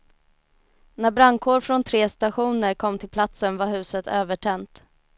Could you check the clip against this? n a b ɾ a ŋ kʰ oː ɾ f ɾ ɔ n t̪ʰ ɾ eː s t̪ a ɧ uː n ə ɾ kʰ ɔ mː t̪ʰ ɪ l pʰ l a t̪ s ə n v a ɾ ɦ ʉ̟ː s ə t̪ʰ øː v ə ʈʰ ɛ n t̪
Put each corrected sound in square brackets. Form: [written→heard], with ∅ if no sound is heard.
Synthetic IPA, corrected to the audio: n [a→æ] b ɾ a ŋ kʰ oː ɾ f ɾ ɔ n t̪ʰ ɾ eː s t̪ a ɧ uː n ə ɾ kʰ ɔ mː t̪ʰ ɪ l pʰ l a t̪ s ə n v a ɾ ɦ ʉ̟ː s ə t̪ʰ øː v ə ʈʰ ɛ n t̪